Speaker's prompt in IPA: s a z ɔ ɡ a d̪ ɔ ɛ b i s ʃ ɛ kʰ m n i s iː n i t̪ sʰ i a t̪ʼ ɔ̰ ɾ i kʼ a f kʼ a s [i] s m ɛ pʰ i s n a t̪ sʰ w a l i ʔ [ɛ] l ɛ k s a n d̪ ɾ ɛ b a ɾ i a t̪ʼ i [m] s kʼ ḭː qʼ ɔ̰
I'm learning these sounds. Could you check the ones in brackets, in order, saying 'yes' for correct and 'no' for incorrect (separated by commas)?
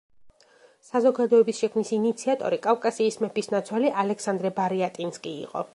no, no, no